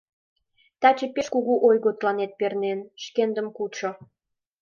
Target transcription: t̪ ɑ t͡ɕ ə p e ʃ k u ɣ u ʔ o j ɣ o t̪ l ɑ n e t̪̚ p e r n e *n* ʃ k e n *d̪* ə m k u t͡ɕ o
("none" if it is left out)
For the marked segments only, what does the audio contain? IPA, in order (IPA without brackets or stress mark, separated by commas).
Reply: n, d̪